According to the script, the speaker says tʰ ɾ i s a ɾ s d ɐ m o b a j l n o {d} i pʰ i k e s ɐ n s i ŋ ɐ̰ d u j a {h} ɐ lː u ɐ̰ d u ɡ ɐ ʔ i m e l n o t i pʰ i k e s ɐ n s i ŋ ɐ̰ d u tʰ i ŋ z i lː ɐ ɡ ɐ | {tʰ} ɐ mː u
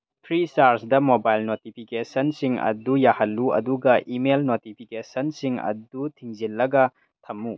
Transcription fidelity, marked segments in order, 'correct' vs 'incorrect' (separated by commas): incorrect, correct, correct